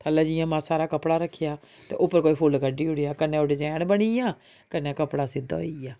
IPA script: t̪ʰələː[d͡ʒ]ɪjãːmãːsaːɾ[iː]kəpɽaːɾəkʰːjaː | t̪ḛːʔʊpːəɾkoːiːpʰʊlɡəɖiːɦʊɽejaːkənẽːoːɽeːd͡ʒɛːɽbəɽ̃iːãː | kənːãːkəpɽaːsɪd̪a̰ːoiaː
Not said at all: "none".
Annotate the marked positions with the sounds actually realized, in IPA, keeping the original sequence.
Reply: d͡ʒ, aː

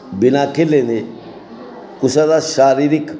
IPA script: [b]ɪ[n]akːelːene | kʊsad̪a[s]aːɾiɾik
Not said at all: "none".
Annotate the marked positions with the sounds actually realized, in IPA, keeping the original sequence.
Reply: b, n, ʃ

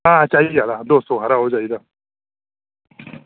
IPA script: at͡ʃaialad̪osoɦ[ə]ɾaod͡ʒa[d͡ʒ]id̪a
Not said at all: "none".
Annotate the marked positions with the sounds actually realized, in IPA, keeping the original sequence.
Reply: a, none

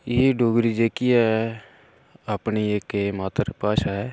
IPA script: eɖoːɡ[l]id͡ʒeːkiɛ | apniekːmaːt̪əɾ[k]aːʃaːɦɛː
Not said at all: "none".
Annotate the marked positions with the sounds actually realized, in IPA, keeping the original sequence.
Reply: ɾ, p

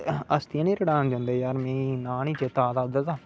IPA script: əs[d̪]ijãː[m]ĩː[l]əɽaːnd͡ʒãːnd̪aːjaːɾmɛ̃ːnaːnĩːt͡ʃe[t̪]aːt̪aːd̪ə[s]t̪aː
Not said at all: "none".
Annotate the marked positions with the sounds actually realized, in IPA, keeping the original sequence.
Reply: t̪, n, ɾ, t̪, none

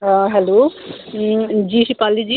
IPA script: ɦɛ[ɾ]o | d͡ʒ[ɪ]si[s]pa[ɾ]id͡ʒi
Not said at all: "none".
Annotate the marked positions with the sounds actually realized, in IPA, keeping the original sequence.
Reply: l, i, none, l

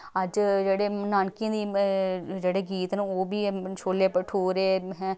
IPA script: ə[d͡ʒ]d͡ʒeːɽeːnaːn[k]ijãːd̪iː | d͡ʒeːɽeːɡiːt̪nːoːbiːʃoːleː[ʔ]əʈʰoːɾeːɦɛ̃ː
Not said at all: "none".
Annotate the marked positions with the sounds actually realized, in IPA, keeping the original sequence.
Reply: d͡ʒ, k, p

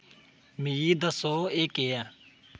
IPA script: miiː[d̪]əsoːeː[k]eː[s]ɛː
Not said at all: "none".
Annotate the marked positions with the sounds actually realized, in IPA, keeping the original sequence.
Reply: d̪, k, none

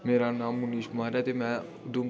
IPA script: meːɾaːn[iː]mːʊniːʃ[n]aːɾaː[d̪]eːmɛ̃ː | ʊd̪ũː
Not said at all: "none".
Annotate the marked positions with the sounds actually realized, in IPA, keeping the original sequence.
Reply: aː, m, t̪

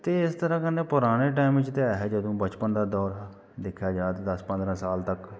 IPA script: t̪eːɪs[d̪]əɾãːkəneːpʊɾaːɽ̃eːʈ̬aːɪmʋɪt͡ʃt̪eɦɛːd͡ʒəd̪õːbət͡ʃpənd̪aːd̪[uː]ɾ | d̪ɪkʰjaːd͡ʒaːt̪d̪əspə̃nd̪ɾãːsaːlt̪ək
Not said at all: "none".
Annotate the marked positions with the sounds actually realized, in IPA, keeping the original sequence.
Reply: t̪, ɔː

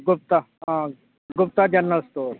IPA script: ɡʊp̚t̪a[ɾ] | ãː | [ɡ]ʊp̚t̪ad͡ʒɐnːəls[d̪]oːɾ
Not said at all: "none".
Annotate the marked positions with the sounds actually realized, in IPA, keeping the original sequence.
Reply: none, ɡ, t̪

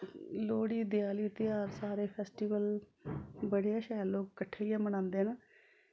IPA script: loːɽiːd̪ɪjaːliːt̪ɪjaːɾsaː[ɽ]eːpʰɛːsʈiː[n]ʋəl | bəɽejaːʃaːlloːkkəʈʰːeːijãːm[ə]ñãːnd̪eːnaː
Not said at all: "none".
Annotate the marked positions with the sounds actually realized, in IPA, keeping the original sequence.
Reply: ɾ, none, ə

